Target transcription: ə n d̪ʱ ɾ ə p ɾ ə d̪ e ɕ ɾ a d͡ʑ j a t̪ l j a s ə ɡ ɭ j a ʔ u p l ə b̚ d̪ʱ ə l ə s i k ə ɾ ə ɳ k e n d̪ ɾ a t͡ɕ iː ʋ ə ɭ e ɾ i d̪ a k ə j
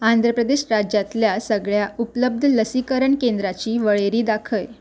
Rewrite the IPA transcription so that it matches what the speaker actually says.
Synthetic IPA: a n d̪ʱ ɾ ə p ɾ ə d̪ e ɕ ɾ a d͡ʑ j a t̪ l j a s ə ɡ ɭ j a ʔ u p l ə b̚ d̪ʱ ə l ə s i k ə ɾ ə ɳ k e n d̪ ɾ a t͡ɕ iː ʋ ə ɭ e ɾ iː d̪ a kʰ ə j